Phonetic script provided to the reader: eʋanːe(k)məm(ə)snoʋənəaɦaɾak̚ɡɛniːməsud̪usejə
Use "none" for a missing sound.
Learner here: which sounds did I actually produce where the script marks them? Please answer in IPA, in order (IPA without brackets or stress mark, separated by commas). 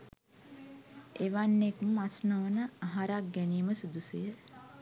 k, a